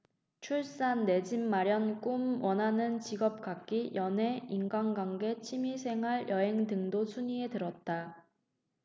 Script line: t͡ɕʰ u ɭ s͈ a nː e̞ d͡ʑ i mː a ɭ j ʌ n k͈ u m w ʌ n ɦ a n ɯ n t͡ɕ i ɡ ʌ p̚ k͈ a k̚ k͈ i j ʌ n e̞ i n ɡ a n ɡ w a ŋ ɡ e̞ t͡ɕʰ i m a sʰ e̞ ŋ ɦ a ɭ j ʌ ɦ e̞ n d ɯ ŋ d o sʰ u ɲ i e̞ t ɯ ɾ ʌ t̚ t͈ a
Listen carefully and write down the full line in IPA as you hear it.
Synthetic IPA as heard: t͡ɕʰ u ɭ s͈ a nː e̞ d͡ʑ i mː a ɾ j ʌ n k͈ u m w ʌ n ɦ a n ɯ n t͡ɕ i ɡ ʌ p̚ k͈ a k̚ k͈ i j ʌ n e̞ i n ɡ a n ɡ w a ŋ ɡ e̞ t͡ɕʰ i m i sʰ e̞ ŋ ɦ a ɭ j ʌ ɦ e̞ ŋ d ɯ ŋ d o sʰ u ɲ i e̞ t ɯ ɾ ʌ t̚ t͈ a